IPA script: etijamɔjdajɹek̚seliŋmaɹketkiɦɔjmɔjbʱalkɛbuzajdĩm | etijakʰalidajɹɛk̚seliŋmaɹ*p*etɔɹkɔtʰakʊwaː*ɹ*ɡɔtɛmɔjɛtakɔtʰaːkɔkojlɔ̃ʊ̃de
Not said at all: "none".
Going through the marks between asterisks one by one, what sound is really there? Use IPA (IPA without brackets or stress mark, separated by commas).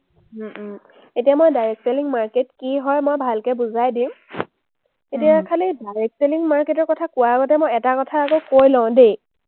k, none